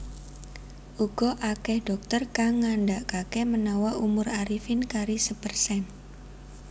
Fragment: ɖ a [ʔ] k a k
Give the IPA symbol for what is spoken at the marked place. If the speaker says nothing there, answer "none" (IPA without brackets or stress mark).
ʔ